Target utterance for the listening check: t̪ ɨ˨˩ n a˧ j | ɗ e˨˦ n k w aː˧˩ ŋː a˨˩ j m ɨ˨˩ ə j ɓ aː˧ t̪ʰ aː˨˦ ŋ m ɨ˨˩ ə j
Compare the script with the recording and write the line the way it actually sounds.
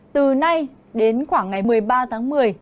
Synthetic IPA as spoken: t̪ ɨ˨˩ n a˧ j | ɗ e˨˦ n x w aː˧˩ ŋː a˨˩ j m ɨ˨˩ ə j ɓ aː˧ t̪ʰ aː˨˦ ŋ m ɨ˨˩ ə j

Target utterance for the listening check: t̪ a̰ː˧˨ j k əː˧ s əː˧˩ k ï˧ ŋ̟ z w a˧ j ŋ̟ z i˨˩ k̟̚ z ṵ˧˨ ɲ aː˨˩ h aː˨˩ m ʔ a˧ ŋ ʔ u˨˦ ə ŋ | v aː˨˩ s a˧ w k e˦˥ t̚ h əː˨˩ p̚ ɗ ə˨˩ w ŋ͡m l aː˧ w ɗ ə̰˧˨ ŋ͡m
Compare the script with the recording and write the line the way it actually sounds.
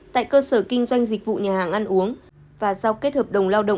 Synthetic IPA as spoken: t̪ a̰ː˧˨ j k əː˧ s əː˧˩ k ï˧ ŋ̟ z w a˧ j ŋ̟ z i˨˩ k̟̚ v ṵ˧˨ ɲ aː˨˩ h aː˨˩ ŋ ʔ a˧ n ʔ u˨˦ ə ŋ | v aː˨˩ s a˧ w k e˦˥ t̚ h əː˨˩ p̚ ɗ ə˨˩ w ŋ͡m l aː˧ w ɗ ə̰˧˨ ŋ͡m

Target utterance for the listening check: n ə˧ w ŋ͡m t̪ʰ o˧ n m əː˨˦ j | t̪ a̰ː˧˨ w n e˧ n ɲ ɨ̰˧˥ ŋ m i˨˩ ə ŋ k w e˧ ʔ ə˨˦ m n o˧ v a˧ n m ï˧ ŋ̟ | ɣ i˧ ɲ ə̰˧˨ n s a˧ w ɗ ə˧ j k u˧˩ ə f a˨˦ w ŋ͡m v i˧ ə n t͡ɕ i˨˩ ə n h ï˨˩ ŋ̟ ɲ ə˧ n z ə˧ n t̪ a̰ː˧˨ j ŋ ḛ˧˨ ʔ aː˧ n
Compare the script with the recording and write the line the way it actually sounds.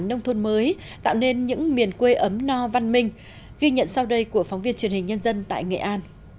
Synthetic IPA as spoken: n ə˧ w ŋ͡m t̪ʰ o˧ n m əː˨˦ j | t̪ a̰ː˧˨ w n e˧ n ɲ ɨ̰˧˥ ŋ m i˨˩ ə n k w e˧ ʔ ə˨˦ m n ɔ˧ v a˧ n m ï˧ ŋ̟ | ɣ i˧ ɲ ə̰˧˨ n s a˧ w ɗ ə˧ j k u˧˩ ə f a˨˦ w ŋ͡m v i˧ ə n t͡ɕ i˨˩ ə n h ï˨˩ ŋ̟ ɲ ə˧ n z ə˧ n t̪ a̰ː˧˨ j ŋ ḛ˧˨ ʔ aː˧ n

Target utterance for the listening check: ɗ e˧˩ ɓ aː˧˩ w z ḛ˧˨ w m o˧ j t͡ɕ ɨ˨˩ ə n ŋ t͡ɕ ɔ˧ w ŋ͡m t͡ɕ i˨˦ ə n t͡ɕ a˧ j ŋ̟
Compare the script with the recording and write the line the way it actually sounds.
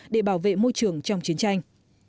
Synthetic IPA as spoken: ɗ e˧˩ ɓ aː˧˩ w v ḛ˧˨ m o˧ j t͡ɕ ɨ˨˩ ə ŋ t͡ɕ ɔ˧ w ŋ͡m t͡ɕ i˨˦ ə n t͡ɕ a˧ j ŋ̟

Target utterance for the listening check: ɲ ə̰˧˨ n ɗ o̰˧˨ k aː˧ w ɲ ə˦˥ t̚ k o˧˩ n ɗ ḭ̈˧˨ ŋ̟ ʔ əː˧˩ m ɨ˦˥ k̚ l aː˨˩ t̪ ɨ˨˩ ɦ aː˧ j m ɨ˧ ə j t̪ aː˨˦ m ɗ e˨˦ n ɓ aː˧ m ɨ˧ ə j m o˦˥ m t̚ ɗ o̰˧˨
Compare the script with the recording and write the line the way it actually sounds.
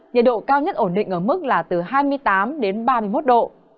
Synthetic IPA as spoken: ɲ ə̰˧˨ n ɗ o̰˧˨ k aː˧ w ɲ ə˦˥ t̚ ʔ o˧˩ n ɗ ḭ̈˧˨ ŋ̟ ʔ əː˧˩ m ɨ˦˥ k̚ l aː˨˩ t̪ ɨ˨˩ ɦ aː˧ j m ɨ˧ ə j t̪ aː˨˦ m ɗ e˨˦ n ɓ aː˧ m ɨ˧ ə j m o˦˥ t̚ ɗ o̰˧˨

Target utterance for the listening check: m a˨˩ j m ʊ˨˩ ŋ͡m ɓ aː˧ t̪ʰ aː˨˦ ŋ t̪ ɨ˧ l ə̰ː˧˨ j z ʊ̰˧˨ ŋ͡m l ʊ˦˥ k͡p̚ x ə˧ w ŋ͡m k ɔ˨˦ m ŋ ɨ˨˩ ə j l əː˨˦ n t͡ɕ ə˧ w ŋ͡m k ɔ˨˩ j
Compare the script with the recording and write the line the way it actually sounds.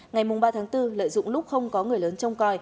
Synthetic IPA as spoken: ŋ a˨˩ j m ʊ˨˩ ŋ͡m ɓ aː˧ t̪ʰ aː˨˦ ŋ t̪ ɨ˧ l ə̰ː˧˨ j z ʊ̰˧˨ ŋ͡m l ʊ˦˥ k͡p̚ x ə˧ w ŋ͡m k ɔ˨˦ ŋ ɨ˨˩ ə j l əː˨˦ n t͡ɕ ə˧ w ŋ͡m k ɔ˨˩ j

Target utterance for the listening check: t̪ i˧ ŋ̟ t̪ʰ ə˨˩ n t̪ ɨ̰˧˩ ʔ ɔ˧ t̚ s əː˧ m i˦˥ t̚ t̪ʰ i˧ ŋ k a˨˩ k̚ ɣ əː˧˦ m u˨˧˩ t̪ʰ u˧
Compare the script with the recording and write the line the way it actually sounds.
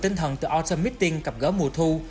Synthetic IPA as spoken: t̪ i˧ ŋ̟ t̪ʰ ə˨˩ n t̪ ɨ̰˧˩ ʔ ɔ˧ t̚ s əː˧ m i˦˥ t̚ t̪ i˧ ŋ k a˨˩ p̚ ɣ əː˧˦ m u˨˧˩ t̪ʰ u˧

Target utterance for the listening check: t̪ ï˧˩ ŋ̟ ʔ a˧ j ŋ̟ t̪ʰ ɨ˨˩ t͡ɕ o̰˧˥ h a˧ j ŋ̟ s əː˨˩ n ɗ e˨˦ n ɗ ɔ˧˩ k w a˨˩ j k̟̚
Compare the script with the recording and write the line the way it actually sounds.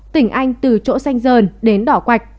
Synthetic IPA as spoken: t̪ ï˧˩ ŋ̟ ʔ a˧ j ŋ̟ t̪ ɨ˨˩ t͡ɕ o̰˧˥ s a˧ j ŋ̟ z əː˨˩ n ɗ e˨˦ n ɗ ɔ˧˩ k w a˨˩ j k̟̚

